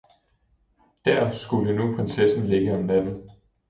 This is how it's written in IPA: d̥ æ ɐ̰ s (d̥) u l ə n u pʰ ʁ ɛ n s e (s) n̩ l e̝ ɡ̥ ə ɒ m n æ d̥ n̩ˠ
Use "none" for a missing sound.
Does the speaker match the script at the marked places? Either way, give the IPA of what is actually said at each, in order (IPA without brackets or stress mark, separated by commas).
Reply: ɡ̥, s